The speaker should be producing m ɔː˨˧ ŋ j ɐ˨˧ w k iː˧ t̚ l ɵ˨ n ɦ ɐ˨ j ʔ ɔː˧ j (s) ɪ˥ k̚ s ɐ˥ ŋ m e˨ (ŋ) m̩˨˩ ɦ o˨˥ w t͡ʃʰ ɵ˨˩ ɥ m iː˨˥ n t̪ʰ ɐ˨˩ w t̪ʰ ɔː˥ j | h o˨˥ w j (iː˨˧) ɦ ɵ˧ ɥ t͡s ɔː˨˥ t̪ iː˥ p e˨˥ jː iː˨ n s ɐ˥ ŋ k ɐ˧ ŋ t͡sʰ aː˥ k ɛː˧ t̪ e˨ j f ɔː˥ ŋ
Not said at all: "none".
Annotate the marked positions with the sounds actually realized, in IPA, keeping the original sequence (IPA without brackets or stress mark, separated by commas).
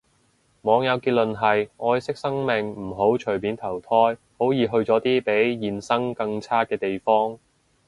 s, ŋ, iː˨˧